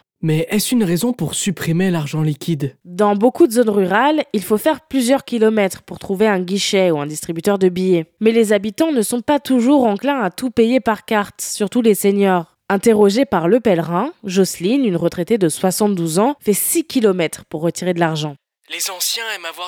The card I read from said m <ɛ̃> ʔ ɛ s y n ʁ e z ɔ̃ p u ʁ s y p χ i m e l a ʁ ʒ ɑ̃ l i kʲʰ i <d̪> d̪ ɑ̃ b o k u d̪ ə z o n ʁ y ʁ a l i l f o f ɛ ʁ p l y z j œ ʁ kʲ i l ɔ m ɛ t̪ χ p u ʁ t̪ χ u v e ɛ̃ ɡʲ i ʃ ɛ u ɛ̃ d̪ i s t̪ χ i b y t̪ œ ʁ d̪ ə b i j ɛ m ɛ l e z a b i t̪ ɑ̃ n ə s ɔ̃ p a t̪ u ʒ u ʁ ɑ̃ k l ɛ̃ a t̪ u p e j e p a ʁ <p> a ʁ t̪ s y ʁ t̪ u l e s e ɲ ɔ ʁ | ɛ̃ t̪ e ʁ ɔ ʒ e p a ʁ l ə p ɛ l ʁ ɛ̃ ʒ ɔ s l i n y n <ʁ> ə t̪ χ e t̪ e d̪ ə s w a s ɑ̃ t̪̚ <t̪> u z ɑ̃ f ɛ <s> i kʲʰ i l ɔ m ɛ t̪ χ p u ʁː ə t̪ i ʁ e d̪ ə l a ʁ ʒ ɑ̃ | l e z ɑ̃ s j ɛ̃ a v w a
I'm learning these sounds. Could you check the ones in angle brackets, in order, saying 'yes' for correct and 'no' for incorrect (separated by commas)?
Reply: no, yes, no, yes, no, yes